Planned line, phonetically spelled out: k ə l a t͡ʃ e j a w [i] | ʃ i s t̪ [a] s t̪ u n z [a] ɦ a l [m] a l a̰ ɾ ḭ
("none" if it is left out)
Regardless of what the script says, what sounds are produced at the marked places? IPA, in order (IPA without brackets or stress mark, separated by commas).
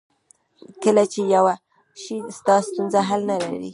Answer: a, ɑ, a, n